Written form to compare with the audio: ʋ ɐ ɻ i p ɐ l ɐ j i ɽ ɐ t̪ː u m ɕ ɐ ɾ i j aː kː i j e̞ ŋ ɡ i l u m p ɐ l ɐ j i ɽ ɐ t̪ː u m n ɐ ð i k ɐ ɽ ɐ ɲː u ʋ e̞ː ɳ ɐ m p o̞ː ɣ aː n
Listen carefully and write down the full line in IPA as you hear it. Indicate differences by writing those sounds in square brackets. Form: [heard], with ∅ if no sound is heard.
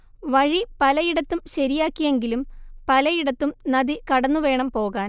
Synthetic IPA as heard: ʋ ɐ ɻ i p ɐ l ɐ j i ɽ ɐ t̪ː u m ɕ ɐ ɾ i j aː kː i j e̞ ŋ ɡ i l u m p ɐ l ɐ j i ɽ ɐ t̪ː u m n ɐ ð i k ɐ ɽ ɐ [nː] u ʋ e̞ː ɳ ɐ m p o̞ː ɣ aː n